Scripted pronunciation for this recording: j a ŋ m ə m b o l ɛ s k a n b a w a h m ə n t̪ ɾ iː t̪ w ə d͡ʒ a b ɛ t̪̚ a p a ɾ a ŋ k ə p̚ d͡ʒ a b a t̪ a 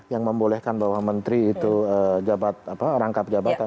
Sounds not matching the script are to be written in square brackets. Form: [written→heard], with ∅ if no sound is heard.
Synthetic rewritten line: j a ŋ m ə m b o l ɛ [s→h] k a n b a w a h m ə n t̪ ɾ iː t̪ [w→u] ə d͡ʒ a b [ɛ→a] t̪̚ a p a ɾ a ŋ k [ə→a] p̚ d͡ʒ a b a t̪ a